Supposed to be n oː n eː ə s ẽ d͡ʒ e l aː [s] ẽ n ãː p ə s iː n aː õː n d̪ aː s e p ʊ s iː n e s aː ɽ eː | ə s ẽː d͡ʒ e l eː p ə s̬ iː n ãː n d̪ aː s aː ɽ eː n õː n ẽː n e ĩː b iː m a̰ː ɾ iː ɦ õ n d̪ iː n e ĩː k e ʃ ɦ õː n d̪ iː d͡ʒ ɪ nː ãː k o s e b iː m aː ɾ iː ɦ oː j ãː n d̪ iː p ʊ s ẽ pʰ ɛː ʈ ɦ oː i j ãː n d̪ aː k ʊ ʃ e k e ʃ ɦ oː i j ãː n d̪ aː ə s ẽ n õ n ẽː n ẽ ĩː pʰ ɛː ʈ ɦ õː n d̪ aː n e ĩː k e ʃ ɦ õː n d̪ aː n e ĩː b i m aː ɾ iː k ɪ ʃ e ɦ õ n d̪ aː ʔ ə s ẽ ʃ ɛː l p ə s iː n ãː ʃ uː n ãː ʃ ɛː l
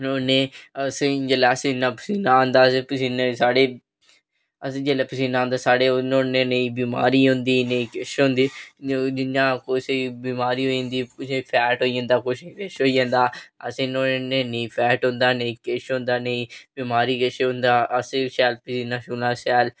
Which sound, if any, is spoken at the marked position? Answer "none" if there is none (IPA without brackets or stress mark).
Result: s